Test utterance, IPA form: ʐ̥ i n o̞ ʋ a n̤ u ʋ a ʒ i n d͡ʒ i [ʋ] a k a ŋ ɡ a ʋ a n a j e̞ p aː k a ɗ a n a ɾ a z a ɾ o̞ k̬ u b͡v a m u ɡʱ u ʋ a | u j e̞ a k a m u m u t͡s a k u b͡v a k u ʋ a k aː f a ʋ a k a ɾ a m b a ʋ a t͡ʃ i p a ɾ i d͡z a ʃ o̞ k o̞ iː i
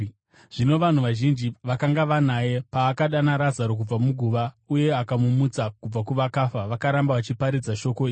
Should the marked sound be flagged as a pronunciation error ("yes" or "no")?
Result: no